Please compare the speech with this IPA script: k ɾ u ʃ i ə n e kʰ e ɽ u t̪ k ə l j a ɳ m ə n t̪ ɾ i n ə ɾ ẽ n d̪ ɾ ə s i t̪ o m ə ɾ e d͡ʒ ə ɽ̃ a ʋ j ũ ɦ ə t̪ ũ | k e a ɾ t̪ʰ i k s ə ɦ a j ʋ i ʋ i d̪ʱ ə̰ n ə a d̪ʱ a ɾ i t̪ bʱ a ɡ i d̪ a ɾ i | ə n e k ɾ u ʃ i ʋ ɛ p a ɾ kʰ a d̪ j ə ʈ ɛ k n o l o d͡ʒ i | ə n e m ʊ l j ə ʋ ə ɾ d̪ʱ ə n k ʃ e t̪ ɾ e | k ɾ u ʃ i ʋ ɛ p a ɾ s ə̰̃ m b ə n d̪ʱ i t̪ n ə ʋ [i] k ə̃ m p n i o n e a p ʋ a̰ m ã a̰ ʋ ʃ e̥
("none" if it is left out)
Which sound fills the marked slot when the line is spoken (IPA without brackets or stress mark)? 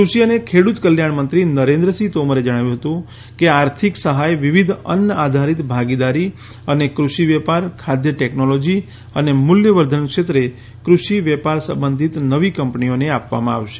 i